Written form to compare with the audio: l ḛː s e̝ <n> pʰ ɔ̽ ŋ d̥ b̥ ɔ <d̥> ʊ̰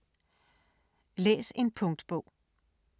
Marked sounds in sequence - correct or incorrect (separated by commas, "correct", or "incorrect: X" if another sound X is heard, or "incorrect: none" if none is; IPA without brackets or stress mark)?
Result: correct, incorrect: none